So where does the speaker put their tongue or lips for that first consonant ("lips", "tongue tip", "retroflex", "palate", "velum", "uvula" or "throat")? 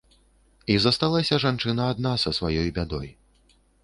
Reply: tongue tip